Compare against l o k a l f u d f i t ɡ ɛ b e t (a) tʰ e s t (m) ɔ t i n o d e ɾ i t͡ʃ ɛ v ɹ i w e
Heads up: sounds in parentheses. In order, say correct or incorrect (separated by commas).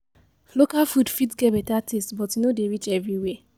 correct, incorrect